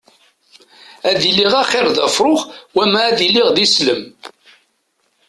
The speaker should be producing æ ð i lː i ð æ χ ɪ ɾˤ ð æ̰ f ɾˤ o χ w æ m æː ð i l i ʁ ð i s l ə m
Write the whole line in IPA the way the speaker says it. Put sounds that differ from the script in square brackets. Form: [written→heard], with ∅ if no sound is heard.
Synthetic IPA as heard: æ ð i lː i [ð→ʁ] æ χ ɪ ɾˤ ð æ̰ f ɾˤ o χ w æ m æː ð i l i ʁ ð i s l ə m

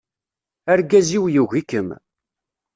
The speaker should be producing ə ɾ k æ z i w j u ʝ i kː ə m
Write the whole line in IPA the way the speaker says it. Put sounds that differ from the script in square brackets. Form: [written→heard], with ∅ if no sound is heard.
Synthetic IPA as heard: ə ɾ [k→ɡ] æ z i w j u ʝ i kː ə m

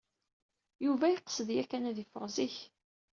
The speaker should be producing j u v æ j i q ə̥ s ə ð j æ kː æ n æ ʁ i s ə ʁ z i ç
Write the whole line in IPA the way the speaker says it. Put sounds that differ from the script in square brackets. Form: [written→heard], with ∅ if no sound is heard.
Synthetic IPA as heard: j u v æ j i q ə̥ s ə ð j æ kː æ n æ [ʁ→ð] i [s→f] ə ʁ z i ç

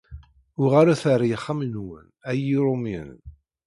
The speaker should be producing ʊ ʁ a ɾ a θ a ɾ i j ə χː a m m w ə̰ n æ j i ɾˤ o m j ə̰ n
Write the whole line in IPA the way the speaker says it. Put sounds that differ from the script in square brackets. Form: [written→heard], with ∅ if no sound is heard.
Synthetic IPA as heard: ʊ ʁ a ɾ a θ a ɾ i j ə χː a m [m→n] w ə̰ n æ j i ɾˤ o m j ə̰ n

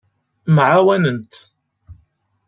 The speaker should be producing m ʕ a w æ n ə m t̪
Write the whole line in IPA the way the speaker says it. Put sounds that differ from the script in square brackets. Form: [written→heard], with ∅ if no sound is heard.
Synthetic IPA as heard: m ʕ a w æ n ə [m→n] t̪

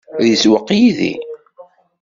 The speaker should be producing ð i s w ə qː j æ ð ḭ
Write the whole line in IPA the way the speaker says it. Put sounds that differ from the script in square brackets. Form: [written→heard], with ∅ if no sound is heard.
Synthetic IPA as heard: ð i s w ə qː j [æ→i] ð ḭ

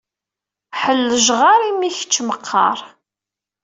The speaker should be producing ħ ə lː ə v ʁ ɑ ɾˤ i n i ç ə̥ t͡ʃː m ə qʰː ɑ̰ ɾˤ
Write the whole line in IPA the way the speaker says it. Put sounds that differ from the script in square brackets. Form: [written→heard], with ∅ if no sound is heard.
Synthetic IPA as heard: ħ ə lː ə [v→ʒ] ʁ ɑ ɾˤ i [n→m] i ç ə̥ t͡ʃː m ə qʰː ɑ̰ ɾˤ

